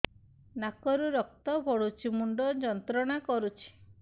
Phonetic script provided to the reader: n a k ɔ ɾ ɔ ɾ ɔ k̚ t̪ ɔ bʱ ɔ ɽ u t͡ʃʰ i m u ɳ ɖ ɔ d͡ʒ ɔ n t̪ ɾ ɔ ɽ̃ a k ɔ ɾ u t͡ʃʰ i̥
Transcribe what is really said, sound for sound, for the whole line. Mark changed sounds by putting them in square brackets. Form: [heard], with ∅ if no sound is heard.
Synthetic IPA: n a k ɔ ɾ [u] ɾ ɔ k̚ t̪ ɔ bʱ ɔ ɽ u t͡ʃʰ i m u ɳ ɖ ɔ d͡ʒ ɔ n t̪ ɾ ɔ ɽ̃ a k ɔ ɾ u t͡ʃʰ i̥